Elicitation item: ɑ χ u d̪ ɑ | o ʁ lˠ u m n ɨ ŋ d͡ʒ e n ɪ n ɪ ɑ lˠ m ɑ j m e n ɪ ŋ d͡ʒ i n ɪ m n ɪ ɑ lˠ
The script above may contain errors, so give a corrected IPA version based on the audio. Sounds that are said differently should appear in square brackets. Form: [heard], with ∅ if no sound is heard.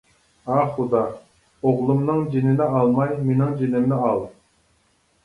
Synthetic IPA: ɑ χ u d̪ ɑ | o ʁ lˠ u m n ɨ ŋ d͡ʒ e n ɪ n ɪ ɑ lˠ m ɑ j m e n ɪ ŋ d͡ʒ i n ɪ m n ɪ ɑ lˠ